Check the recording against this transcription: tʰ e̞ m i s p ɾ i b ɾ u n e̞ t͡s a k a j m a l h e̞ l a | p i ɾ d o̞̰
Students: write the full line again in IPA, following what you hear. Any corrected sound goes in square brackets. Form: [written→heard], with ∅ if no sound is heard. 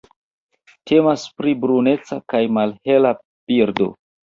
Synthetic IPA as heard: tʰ e̞ m [i→a] s p ɾ i b ɾ u n e̞ t͡s a k a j m a l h e̞ l a | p i ɾ d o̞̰